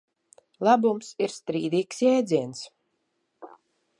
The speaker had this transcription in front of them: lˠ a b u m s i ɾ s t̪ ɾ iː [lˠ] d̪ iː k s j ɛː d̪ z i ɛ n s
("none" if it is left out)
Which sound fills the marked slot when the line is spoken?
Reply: none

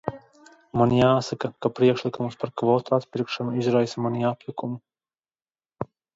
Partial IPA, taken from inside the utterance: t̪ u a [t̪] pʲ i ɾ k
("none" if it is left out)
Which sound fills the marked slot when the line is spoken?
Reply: t̪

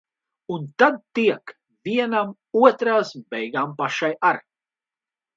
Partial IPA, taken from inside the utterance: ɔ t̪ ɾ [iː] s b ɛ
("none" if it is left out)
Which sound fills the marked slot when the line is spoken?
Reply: aː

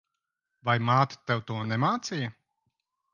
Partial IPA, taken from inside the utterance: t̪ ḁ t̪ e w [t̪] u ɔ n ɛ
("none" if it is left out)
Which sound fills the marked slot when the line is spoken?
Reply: t̪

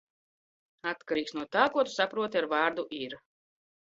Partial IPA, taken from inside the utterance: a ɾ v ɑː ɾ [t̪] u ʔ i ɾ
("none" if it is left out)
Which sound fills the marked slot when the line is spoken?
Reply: d̪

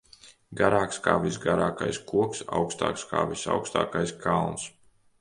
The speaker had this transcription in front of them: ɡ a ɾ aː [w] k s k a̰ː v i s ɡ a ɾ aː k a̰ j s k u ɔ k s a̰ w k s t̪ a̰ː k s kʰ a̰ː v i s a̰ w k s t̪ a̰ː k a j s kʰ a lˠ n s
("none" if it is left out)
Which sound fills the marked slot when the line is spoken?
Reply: none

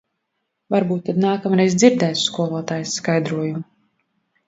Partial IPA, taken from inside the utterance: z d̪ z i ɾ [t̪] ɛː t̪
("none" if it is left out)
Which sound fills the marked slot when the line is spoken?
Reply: d̪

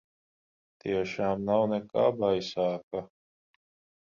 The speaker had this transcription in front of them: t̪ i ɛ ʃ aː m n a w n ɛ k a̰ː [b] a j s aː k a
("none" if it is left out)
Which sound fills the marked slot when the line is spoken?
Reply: b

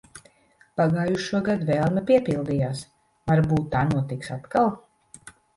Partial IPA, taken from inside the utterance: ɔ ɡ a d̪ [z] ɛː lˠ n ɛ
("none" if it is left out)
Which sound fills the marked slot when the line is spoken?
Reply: v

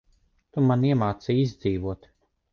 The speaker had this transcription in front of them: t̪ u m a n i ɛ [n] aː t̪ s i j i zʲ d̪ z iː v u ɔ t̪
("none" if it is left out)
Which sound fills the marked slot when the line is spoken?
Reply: m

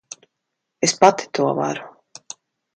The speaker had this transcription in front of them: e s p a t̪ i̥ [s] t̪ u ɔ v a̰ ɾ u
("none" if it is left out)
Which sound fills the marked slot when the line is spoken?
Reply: none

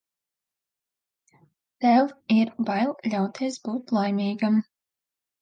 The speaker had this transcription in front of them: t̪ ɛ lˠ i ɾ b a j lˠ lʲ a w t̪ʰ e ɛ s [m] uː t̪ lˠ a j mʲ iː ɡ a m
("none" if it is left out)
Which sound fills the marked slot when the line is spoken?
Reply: b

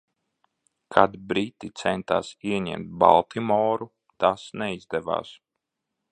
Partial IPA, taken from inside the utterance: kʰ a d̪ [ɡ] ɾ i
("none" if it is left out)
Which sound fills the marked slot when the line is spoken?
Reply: b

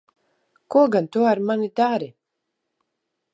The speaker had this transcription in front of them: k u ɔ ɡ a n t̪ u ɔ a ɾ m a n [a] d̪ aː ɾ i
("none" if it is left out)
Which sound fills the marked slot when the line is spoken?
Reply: i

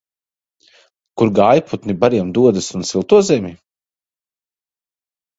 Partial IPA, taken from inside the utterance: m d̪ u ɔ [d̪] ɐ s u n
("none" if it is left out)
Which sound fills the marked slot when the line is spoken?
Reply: d̪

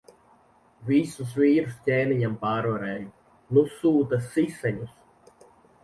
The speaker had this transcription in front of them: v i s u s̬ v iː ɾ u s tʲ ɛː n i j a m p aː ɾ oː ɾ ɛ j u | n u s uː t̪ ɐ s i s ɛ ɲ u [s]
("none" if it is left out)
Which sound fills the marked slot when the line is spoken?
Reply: s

